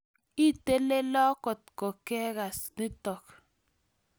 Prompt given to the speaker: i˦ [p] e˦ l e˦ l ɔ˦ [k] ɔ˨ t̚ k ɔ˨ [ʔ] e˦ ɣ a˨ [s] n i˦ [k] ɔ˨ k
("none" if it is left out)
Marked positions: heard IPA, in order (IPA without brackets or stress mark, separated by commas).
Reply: t, k, k, s, t